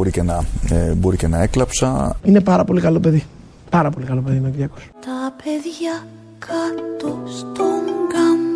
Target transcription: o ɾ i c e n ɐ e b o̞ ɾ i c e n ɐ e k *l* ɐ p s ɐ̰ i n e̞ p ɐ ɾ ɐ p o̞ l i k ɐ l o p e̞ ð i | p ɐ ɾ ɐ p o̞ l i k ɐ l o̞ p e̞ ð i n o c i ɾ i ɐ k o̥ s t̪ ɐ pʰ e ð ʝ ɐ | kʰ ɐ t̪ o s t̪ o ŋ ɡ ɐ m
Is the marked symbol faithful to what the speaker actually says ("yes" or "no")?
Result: yes